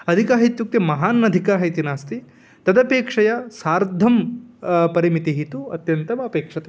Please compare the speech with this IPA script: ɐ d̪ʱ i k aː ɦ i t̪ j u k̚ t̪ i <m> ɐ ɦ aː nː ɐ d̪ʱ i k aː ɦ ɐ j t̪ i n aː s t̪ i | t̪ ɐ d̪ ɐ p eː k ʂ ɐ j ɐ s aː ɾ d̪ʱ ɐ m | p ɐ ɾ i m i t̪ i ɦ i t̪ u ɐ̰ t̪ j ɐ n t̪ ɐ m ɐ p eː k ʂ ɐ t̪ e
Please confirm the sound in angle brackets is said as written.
yes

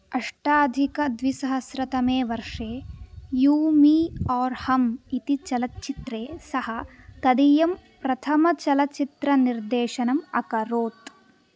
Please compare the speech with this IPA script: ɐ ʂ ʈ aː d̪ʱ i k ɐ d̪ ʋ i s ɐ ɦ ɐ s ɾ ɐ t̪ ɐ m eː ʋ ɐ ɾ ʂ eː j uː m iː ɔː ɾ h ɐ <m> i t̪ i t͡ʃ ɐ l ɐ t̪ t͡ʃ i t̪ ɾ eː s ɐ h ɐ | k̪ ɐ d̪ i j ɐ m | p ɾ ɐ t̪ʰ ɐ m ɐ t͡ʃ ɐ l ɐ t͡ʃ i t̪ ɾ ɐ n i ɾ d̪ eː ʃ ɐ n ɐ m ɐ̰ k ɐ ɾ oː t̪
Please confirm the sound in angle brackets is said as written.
yes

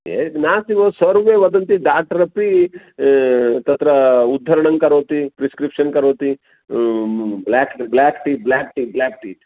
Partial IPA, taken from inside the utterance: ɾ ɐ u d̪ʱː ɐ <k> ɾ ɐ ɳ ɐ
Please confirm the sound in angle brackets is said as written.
no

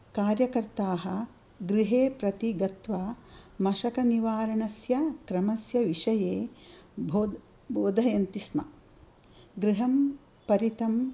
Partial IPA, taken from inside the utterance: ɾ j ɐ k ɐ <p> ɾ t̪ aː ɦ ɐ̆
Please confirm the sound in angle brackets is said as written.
no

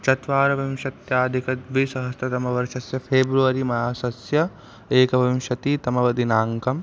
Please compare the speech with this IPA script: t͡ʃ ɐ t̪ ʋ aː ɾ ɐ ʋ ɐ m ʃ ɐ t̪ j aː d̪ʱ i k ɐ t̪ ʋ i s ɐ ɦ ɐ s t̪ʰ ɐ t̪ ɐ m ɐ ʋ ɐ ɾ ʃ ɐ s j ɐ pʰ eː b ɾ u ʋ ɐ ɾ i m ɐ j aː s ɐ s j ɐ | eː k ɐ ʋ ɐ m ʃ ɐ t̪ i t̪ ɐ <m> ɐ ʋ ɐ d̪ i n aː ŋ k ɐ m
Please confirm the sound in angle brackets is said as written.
yes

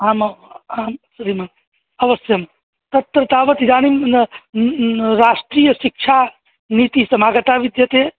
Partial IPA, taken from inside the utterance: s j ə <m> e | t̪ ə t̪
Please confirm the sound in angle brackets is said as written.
yes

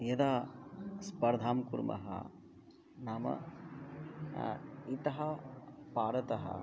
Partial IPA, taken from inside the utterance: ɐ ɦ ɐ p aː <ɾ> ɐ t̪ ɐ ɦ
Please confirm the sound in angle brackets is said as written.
yes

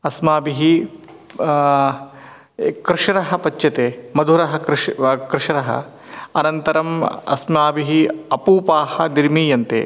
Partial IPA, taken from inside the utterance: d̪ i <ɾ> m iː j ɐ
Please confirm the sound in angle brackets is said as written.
yes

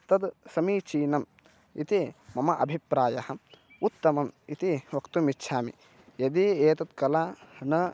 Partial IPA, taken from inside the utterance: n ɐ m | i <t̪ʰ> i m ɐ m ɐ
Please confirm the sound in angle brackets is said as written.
no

